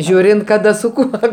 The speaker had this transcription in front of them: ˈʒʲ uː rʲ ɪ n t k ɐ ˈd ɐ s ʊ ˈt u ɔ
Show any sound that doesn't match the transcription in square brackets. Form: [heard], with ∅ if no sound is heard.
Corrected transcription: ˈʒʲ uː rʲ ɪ n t k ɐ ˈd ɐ s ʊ [ˈk] u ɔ

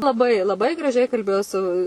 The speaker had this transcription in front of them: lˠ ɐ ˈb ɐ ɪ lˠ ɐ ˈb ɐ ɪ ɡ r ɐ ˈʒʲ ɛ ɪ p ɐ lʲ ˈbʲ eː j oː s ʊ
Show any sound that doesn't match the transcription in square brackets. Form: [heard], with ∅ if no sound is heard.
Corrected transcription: lˠ ɐ ˈb ɐ ɪ lˠ ɐ ˈb ɐ ɪ ɡ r ɐ ˈʒʲ ɛ ɪ [k] ɐ lʲ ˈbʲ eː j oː s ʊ

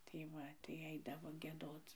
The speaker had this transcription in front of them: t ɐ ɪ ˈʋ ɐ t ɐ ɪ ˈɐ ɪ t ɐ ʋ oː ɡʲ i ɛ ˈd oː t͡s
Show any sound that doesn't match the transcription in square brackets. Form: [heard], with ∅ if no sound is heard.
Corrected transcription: t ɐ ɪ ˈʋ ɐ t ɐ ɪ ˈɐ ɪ [d] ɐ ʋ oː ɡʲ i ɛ ˈd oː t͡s

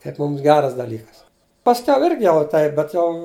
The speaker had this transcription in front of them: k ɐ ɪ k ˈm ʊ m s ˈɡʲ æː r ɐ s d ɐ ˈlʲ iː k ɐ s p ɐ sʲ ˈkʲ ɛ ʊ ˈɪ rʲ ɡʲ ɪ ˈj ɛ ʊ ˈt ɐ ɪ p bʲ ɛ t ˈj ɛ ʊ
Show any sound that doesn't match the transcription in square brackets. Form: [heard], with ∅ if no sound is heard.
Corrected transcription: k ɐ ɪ [p] ˈm ʊ m s ˈɡʲ æː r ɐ s d ɐ ˈlʲ iː k ɐ s p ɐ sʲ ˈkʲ ɛ ʊ ˈɪ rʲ ɡʲ ɪ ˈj ɛ ʊ ˈt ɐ ɪ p bʲ ɛ t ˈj ɛ ʊ

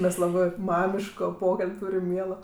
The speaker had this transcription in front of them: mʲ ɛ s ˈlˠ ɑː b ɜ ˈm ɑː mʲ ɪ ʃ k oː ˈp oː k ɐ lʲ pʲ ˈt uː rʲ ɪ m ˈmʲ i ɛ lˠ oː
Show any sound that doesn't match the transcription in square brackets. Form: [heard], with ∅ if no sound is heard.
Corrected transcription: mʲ ɛ s ˈlˠ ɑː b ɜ ˈm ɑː mʲ ɪ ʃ k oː ˈp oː k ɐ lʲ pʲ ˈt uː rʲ ɪ m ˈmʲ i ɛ lˠ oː

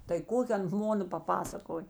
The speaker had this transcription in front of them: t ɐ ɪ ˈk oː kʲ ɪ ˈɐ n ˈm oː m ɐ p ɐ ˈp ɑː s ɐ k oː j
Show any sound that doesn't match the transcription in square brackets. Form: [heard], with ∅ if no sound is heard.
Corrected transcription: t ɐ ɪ ˈk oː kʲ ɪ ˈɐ n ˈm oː [n] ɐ p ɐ ˈp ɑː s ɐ k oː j

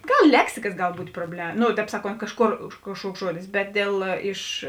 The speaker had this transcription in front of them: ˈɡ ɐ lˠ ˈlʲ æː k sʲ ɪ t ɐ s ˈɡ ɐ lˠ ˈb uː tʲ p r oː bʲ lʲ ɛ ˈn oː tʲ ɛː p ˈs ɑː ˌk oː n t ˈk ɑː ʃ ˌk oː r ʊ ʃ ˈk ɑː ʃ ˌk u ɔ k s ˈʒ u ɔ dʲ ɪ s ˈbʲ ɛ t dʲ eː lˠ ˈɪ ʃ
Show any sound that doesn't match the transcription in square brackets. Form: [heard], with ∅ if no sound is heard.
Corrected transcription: ˈɡ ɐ lˠ ˈlʲ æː k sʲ ɪ [k] ɐ s ˈɡ ɐ lˠ ˈb uː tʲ p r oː bʲ lʲ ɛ ˈn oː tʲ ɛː p ˈs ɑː ˌk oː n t ˈk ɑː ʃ ˌk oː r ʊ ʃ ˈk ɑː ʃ ˌk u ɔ k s ˈʒ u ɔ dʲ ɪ s ˈbʲ ɛ t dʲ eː lˠ ˈɪ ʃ

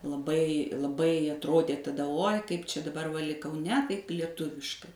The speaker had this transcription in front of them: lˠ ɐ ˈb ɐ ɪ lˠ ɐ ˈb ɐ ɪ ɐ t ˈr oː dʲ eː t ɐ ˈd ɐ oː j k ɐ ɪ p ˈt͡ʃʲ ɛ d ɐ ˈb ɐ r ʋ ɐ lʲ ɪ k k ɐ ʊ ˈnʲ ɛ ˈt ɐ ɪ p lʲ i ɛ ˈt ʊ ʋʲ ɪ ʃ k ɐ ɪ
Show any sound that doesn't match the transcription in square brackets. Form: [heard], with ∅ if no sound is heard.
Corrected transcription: lˠ ɐ ˈb ɐ ɪ lˠ ɐ ˈb ɐ ɪ ɐ t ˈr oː dʲ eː t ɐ ˈd ɐ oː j k ɐ ɪ p ˈt͡ʃʲ ɛ d ɐ ˈb ɐ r ʋ ɐ lʲ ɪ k k ɐ ʊ ˈnʲ ɛ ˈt ɐ ɪ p lʲ i ɛ ˈt ʊ ʋʲ ɪ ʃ k ɐ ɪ

